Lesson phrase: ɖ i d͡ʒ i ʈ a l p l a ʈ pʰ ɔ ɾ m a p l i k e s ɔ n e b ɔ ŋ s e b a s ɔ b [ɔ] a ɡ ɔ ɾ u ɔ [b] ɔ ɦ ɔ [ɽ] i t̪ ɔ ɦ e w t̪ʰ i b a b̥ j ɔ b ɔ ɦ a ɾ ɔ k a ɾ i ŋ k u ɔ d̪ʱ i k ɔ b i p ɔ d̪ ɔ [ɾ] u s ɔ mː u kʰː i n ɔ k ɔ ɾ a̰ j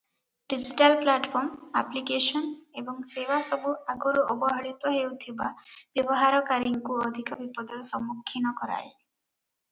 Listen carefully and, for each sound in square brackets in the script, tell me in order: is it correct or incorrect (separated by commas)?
incorrect, correct, correct, correct